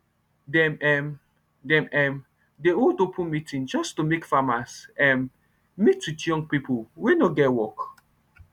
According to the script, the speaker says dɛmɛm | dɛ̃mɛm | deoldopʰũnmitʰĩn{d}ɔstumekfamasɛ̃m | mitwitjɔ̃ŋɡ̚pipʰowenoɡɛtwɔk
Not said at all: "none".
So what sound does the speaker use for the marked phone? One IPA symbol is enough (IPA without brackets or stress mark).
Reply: d͡ʒ